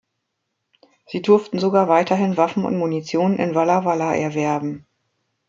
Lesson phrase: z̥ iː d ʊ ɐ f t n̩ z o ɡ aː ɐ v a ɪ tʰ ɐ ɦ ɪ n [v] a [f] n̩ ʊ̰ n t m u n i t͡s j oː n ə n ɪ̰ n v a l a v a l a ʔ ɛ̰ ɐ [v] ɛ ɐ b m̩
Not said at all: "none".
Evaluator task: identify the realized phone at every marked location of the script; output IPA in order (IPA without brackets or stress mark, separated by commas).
v, f, v